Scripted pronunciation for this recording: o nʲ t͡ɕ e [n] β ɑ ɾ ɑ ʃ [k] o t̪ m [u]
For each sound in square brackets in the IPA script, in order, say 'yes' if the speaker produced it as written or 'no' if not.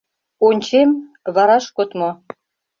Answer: no, yes, no

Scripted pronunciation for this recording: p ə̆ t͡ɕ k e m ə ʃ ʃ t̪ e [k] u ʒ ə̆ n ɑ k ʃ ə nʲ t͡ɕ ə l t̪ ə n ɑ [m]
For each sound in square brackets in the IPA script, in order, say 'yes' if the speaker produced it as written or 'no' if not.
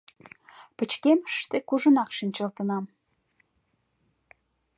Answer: yes, yes

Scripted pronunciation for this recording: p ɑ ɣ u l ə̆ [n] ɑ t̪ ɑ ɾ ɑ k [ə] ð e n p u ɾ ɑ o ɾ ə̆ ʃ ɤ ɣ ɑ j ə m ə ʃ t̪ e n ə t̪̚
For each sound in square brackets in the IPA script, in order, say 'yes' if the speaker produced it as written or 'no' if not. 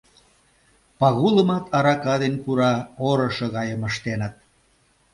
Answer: no, no

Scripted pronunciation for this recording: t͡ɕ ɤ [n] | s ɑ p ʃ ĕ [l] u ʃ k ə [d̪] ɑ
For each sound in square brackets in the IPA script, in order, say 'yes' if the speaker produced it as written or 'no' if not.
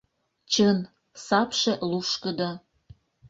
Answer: yes, yes, yes

